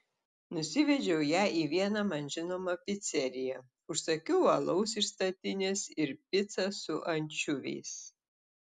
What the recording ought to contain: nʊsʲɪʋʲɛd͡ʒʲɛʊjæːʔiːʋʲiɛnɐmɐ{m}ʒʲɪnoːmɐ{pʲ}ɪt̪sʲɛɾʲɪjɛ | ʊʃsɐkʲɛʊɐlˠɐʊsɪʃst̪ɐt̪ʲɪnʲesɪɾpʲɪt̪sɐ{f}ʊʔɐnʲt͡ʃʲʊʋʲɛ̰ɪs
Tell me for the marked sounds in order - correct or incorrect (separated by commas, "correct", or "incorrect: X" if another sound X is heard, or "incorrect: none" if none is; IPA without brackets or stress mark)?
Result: incorrect: n, correct, incorrect: s